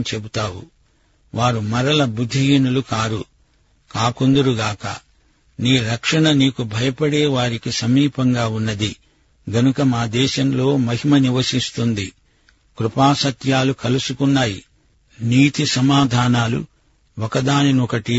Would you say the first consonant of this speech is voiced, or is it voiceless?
voiceless